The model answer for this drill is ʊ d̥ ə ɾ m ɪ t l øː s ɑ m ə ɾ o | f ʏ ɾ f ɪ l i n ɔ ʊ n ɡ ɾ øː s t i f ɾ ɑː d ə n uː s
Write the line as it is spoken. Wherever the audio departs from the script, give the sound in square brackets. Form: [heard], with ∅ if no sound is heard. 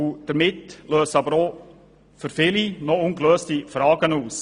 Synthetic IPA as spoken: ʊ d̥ ə ɾ m ɪ t l øː s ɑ [b] ə ɾ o | f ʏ ɾ f ɪ l i n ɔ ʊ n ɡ [l] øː s t i f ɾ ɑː [ɡ] ə n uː s